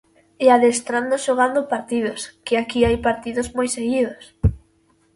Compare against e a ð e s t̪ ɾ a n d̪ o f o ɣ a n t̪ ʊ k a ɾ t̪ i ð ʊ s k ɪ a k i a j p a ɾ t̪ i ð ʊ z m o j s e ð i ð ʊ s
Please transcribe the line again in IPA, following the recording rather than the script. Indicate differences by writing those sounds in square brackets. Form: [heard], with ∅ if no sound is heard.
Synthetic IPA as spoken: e a ð e s t̪ ɾ a n d̪ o [ʃ] o ɣ a n [d̪] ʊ [p] a ɾ t̪ i ð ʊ s k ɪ a k i a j p a ɾ t̪ i ð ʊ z m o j s e [ɣ] i ð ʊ s